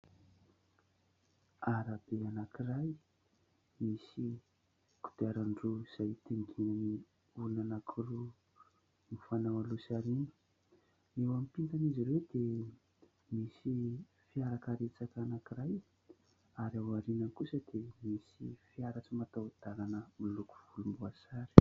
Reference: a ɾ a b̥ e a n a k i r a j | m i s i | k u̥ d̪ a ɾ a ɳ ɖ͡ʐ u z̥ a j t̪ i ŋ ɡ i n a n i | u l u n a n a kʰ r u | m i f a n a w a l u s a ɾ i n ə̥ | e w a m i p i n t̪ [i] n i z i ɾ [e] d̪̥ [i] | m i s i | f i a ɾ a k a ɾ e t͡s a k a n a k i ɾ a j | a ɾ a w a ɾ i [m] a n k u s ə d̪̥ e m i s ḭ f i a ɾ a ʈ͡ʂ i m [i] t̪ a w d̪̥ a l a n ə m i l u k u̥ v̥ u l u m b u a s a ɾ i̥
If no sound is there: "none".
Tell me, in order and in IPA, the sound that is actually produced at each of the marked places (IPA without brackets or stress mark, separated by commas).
a, e, e, n, a